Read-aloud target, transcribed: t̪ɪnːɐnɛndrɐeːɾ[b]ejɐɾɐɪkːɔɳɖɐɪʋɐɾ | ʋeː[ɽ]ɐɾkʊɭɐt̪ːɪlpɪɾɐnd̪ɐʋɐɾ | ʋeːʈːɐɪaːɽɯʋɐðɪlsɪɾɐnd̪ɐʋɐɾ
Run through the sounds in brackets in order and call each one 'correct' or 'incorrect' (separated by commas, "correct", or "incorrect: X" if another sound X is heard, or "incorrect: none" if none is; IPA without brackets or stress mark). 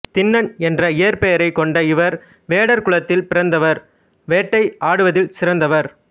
incorrect: p, correct